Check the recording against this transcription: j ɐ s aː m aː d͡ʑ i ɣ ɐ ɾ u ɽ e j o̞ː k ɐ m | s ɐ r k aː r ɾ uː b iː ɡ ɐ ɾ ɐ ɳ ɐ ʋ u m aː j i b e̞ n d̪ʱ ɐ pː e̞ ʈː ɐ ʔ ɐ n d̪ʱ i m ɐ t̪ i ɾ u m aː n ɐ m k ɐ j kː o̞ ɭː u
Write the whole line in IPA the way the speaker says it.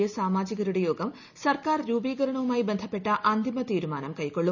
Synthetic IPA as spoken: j ɐ s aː m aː d͡ʑ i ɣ ɐ ɾ u ɽ e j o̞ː ɡ ɐ m | s ɐ r k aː r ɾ uː b iː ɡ ɐ ɾ ɐ ɳ ɐ ʋ u m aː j i b e̞ n d̪ʱ ɐ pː e̞ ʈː ɐ ʔ ɐ n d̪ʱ i m ɐ t̪ iː ɾ u m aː n ɐ m k ɐ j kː o̞ ɭː u